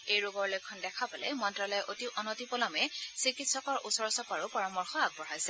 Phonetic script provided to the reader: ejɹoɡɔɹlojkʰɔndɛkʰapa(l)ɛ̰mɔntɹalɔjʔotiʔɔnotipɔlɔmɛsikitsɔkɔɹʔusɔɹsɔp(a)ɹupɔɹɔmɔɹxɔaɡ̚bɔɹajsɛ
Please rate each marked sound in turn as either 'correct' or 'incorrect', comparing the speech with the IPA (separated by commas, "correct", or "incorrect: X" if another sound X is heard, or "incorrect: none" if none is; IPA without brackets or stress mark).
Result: correct, correct